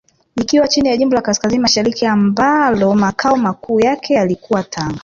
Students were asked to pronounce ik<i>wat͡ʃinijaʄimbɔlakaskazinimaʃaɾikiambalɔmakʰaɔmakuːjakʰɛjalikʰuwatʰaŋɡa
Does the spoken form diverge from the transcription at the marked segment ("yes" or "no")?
no